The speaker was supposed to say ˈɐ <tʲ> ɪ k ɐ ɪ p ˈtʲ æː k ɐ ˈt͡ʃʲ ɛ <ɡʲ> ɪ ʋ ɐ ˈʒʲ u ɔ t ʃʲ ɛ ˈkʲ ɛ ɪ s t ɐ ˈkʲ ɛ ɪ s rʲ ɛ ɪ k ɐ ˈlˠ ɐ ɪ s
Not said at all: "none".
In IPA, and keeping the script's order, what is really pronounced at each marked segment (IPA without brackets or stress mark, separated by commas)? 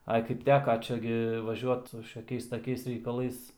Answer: none, ɡʲ